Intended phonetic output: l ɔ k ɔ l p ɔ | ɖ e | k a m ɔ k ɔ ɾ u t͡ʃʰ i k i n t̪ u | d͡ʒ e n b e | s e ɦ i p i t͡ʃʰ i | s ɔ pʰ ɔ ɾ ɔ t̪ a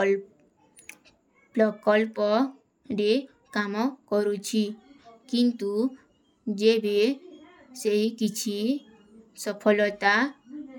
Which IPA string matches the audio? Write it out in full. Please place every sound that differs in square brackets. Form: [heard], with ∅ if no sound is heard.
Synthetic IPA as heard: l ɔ k ɔ l p ɔ | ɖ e | k a m ɔ k ɔ ɾ u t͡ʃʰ i k i n t̪ u | d͡ʒ e [∅] b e | s e ɦ i [k] i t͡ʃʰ i | s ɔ pʰ ɔ [l] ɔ t̪ a